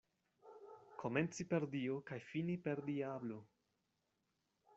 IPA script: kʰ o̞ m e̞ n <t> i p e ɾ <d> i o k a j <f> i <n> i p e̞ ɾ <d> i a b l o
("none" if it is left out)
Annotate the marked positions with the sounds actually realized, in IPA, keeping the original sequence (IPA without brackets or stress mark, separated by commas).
t͡s, d, f, n, d